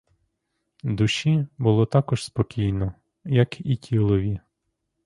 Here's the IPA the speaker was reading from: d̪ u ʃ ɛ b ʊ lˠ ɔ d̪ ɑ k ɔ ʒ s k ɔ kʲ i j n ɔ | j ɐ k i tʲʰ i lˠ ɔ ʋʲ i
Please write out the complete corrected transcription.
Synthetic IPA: d̪ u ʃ i b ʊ lˠ ɔ t̪ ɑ k ɔ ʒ s p ɔ kʲ i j n ɔ | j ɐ k i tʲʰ i lˠ ɔ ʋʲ i